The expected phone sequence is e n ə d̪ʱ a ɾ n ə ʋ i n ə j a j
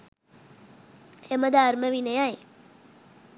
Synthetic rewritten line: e m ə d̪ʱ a ɾ m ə ʋ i n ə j a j